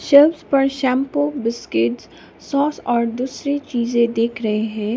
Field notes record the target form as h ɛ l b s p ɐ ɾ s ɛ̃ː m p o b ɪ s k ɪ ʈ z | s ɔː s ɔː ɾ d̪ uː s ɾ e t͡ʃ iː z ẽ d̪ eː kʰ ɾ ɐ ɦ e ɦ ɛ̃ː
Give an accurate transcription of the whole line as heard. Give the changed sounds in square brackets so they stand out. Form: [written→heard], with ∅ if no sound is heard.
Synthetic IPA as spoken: [h→ʃ] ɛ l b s p ɐ ɾ [s→ʃ] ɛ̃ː m p o b ɪ s k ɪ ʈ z | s ɔː s ɔː ɾ d̪ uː s ɾ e t͡ʃ iː z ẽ d̪ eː kʰ ɾ ɐ ɦ e ɦ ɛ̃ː